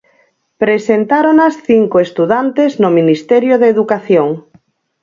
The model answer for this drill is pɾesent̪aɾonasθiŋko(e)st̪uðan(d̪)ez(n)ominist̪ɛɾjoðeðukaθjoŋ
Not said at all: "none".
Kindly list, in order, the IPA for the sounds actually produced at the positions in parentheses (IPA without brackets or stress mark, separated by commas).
e, t̪, n